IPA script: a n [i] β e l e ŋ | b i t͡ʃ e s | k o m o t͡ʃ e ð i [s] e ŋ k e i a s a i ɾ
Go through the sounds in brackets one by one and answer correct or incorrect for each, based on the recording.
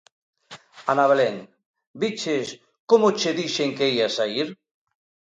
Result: incorrect: a, incorrect: ʃ

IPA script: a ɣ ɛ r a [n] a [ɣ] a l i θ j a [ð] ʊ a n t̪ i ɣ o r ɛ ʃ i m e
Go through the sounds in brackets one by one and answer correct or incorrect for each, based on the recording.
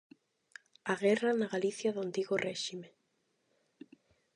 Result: correct, correct, correct

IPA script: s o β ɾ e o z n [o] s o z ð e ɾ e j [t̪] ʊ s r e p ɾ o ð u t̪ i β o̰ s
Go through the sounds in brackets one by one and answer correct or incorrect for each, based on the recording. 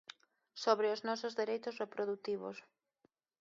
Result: incorrect: ɔ, correct

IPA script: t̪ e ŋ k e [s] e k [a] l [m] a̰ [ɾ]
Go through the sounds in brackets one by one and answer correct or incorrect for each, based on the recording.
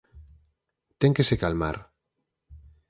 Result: correct, correct, correct, correct

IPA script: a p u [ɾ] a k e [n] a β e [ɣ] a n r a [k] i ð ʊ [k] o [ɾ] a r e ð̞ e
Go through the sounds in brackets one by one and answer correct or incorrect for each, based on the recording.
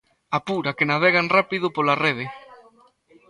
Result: correct, correct, correct, incorrect: p, incorrect: p, incorrect: l

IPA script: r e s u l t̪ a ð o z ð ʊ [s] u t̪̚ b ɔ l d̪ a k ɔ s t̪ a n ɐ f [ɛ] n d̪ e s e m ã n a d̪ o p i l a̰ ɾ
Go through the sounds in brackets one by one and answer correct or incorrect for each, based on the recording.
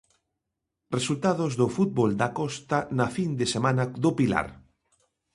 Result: incorrect: f, incorrect: i

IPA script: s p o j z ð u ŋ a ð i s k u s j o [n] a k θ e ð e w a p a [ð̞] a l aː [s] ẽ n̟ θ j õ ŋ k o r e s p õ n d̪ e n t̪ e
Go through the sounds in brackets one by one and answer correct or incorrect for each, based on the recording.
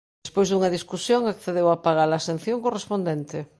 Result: incorrect: ŋ, incorrect: ɣ̞, correct

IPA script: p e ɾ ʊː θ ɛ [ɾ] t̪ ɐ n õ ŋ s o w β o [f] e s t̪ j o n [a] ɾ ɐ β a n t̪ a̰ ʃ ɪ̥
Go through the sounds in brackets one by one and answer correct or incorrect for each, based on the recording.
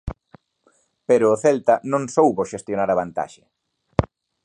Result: incorrect: l, incorrect: ʃ, correct

